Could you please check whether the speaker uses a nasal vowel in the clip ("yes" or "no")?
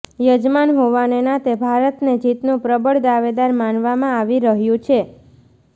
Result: yes